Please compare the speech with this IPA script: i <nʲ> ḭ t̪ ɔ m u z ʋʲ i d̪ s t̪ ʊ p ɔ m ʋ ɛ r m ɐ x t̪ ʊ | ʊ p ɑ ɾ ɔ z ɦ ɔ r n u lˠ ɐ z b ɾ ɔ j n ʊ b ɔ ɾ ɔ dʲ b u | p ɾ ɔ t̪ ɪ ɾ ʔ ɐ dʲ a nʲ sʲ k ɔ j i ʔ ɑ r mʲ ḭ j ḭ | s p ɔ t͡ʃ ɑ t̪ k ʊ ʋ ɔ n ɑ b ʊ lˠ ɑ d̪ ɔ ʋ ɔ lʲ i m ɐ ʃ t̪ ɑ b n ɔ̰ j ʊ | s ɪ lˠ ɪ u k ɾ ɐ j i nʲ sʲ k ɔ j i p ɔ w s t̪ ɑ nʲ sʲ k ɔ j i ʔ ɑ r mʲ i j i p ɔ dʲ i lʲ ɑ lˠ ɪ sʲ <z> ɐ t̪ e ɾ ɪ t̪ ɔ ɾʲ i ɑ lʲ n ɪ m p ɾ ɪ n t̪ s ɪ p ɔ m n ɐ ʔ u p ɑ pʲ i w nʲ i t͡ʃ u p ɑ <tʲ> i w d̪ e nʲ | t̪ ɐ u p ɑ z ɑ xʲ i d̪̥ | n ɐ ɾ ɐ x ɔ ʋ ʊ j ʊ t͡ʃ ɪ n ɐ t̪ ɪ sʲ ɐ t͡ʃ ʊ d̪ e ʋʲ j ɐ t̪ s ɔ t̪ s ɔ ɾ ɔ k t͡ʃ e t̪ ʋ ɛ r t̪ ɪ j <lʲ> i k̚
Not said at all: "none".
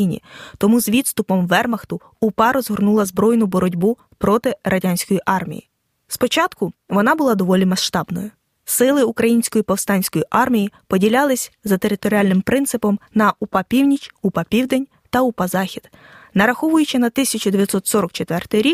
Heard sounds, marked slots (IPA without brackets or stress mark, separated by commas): nʲ, z, pʲ, ɾʲ